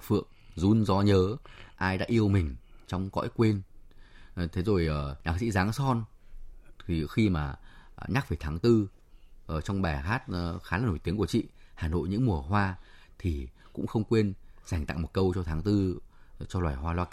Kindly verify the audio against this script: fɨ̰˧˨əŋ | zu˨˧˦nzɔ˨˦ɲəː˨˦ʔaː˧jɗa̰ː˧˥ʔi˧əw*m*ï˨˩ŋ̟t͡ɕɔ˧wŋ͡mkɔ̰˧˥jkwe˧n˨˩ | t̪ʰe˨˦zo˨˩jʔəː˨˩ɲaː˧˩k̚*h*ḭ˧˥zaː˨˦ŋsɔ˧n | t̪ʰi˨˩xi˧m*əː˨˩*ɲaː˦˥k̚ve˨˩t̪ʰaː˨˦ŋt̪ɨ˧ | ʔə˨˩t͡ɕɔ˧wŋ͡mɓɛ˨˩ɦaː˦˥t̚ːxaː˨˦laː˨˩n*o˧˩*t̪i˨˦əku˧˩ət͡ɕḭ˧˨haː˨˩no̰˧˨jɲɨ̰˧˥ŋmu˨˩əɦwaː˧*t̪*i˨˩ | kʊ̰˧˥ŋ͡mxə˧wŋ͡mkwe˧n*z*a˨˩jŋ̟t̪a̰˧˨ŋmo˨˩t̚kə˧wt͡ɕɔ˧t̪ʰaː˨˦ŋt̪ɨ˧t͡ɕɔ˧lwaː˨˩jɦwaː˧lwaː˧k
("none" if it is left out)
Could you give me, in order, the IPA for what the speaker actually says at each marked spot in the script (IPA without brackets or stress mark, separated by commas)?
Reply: m, s, aː˨˩, o˧˩, t̪ʰ, z